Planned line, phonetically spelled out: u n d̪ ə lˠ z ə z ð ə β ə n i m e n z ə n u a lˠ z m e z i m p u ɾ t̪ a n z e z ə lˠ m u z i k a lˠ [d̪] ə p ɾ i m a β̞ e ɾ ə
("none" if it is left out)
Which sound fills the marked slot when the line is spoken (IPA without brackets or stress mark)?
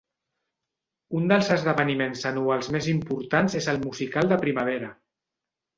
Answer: d̪